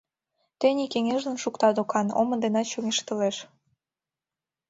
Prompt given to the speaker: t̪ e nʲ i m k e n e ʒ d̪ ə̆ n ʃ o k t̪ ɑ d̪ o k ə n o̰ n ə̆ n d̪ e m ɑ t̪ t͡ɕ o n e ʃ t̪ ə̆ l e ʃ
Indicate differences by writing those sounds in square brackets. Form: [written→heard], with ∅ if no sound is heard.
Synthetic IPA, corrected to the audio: t̪ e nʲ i [m→∅] k e [n→ŋ] e ʒ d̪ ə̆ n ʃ [o→u] k t̪ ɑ d̪ o k [ə→ɑ] n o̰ [n→m] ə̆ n d̪ e [m→n] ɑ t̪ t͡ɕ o [n→ŋ] e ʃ t̪ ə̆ l e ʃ